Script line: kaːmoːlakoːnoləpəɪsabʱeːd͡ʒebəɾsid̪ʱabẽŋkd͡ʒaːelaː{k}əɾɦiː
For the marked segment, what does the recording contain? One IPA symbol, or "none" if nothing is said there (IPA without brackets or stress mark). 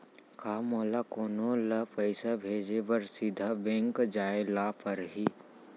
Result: p